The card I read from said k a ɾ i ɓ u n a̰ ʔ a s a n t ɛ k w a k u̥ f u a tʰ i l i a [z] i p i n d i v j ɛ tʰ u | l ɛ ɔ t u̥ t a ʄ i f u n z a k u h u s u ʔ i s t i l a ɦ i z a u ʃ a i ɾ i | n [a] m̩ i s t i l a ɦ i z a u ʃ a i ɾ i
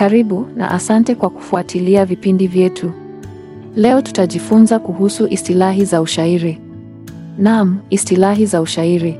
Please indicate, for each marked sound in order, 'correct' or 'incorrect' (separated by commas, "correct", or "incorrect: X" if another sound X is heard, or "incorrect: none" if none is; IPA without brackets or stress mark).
incorrect: v, correct